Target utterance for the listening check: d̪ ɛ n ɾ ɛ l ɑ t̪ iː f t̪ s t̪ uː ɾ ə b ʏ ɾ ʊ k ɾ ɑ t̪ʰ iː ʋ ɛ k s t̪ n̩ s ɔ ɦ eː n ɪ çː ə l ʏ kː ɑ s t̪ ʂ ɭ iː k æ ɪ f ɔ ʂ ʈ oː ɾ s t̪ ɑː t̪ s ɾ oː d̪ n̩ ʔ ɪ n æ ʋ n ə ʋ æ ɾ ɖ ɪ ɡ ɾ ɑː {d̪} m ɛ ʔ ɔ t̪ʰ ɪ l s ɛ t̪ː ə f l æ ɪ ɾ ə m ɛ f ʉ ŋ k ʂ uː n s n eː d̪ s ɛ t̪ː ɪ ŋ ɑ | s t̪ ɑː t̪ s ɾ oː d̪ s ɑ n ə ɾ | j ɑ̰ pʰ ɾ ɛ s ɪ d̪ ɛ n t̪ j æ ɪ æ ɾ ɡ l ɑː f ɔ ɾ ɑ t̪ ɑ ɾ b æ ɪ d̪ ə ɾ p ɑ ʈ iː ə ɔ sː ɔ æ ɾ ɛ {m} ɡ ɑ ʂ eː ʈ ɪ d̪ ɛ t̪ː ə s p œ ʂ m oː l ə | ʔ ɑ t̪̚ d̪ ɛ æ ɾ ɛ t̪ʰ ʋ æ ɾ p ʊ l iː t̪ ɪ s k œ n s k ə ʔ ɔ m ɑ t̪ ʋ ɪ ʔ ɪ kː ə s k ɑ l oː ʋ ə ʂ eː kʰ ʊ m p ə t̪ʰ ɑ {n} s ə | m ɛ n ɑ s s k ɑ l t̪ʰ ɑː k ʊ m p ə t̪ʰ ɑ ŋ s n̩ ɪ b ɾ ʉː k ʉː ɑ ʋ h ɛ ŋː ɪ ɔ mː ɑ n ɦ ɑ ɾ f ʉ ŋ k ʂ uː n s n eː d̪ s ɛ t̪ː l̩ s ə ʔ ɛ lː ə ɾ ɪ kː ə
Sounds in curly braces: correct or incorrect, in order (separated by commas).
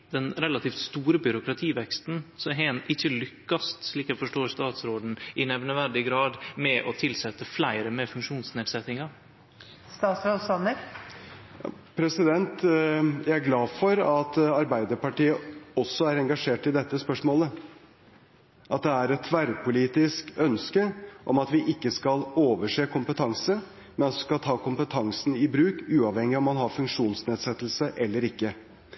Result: correct, incorrect, incorrect